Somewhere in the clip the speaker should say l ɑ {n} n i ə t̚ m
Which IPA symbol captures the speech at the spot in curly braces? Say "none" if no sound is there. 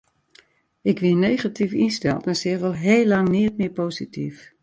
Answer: ŋ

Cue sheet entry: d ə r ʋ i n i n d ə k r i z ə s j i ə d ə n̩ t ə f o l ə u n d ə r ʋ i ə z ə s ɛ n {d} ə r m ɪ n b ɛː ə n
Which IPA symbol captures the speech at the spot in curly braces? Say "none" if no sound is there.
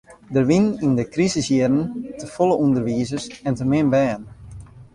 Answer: t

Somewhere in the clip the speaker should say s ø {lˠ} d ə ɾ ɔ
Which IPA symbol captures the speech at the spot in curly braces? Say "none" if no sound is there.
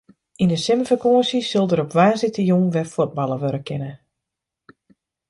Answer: lˠ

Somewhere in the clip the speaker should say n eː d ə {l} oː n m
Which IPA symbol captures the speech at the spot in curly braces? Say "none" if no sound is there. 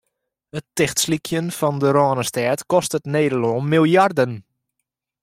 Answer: l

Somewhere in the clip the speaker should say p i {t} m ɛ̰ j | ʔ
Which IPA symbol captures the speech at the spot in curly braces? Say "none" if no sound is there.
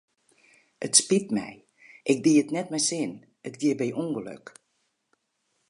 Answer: t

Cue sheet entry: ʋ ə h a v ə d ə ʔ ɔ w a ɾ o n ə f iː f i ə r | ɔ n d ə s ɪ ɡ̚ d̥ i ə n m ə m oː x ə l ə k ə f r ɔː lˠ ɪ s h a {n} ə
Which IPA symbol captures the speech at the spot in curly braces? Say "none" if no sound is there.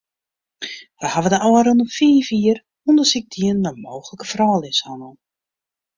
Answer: n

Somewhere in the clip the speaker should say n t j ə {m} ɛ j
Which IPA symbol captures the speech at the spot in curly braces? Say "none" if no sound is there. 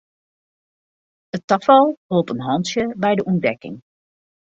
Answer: b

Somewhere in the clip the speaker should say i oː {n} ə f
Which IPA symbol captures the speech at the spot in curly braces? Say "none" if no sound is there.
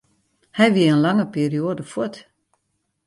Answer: d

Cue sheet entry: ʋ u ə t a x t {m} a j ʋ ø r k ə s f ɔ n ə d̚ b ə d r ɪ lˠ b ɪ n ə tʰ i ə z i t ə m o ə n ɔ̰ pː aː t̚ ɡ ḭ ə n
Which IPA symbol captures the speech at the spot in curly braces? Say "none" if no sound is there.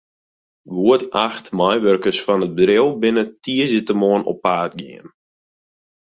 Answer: m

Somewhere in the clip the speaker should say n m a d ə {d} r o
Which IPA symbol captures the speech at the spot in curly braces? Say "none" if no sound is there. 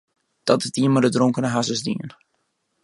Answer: d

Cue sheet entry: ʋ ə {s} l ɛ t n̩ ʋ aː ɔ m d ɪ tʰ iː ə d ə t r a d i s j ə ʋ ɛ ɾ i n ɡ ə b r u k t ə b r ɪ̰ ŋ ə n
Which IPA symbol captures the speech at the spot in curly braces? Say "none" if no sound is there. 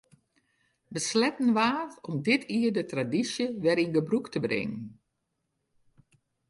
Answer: s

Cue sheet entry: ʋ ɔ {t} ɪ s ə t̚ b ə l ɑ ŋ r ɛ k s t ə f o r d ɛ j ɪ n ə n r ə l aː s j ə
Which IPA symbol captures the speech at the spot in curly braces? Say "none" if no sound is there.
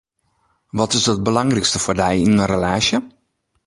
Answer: t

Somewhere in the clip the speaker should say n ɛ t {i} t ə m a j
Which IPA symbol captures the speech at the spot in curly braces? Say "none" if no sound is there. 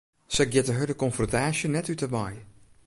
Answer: y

